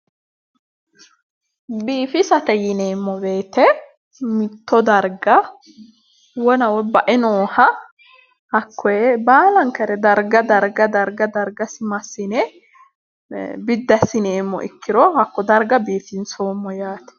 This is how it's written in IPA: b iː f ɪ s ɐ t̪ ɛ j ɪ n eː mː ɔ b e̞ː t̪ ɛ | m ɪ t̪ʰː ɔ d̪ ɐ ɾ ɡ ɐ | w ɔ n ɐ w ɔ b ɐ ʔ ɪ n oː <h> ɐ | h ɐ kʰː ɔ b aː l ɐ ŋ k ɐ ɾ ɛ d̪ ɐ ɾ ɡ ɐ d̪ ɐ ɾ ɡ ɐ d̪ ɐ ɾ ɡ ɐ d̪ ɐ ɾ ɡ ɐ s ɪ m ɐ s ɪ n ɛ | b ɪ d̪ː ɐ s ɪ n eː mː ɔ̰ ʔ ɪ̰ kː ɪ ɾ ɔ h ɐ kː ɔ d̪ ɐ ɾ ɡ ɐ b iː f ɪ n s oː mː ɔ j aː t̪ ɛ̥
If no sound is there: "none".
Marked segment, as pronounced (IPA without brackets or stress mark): h